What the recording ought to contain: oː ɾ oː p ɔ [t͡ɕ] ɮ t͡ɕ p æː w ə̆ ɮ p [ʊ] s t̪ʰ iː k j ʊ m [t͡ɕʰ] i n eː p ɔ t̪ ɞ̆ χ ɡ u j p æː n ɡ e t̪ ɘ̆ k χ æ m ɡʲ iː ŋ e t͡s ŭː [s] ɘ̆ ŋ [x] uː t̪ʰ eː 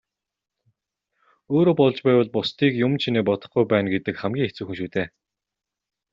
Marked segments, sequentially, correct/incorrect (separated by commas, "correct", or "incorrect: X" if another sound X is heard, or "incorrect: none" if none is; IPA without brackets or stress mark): incorrect: none, correct, correct, incorrect: x, incorrect: ʃ